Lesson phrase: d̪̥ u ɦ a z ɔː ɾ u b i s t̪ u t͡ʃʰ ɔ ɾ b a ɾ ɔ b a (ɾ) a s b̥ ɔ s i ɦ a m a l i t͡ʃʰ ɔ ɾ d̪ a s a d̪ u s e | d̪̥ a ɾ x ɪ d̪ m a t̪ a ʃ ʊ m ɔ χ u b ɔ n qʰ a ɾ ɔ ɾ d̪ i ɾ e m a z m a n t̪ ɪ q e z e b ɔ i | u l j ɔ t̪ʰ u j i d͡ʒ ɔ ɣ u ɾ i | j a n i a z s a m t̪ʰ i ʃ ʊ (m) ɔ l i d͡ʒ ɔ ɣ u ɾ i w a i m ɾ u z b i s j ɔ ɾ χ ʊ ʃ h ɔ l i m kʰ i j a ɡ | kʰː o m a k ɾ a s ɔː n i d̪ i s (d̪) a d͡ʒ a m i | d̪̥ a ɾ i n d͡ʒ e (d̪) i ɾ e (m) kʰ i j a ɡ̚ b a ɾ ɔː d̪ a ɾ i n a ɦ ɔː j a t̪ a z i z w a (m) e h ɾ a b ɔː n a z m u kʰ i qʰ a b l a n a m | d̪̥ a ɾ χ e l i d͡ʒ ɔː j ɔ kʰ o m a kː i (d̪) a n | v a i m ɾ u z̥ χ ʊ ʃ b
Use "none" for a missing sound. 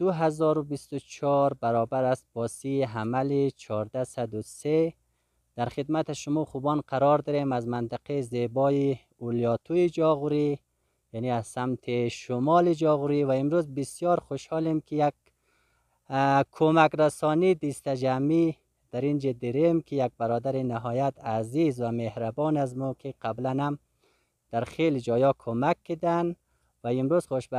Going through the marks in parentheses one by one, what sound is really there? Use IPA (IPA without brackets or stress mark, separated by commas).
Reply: ɾ, m, t̪, d̪, m, m, d̪